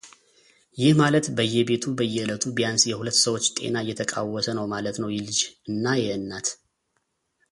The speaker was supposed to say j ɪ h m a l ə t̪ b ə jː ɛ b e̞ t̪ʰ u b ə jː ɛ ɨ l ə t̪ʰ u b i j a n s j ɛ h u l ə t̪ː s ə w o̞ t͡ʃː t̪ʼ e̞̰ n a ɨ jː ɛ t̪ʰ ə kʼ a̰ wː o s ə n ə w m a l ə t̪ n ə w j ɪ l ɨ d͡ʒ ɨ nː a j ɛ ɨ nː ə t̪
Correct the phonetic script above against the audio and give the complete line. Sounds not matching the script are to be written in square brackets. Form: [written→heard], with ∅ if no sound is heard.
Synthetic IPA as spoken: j ɪ h m a l ə t̪ b ə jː ɛ b e̞ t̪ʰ u b ə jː ɛ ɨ l ə t̪ʰ u b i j a n s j ɛ h u l ə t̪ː s ə w o̞ t͡ʃː t̪ʼ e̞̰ n a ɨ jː ɛ t̪ʰ ə kʼ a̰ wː [o→ɔ] s ə n ə w m a l ə t̪ n ə w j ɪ l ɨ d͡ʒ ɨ nː a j ɛ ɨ nː [ə→a] t̪